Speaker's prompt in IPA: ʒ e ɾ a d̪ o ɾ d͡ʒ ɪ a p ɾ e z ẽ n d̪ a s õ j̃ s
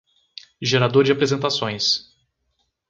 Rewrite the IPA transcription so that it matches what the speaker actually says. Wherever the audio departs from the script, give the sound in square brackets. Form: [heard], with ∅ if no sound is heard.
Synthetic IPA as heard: ʒ e ɾ a d̪ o ɾ d͡ʒ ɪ a p ɾ e z ẽ n [t̪] a s õ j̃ s

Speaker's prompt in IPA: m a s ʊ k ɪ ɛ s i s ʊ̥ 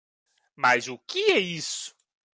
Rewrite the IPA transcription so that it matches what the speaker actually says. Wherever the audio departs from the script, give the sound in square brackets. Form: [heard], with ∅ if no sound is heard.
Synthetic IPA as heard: m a [z] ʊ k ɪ ɛ [∅] i s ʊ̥

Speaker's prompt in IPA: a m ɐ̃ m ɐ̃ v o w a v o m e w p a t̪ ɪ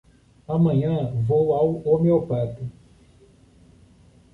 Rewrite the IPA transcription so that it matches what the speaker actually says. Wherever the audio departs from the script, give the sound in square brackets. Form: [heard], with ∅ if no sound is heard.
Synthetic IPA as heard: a m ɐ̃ [ɲ] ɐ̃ v o w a [w] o m e w p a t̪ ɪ

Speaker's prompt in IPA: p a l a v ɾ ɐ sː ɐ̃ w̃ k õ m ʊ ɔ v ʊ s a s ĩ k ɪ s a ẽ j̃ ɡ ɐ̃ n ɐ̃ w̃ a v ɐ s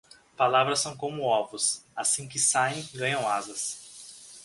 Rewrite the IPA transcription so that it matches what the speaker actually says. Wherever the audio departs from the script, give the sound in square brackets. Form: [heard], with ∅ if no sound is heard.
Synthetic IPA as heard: p a l a v ɾ ɐ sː ɐ̃ w̃ k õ m ʊ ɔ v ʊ s a s ĩ k ɪ s a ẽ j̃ ɡ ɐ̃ [ɲ] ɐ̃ w̃ a [z] ɐ s

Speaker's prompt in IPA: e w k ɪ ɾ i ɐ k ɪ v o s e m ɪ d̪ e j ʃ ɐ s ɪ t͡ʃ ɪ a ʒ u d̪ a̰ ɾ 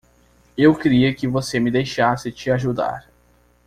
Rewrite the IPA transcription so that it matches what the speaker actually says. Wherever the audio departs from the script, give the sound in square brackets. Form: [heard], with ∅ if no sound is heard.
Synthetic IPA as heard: e w k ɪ ɾ i ɐ k ɪ v o s e m ɪ d̪ e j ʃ [a] s ɪ t͡ʃ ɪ a ʒ u d̪ a̰ ɾ

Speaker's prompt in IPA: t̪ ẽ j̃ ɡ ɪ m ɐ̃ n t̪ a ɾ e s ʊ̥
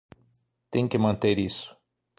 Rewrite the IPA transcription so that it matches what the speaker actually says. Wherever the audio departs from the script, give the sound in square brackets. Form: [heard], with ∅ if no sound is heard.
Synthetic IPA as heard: t̪ ẽ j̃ [k] ɪ m ɐ̃ n t̪ [e] ɾ [i] s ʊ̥

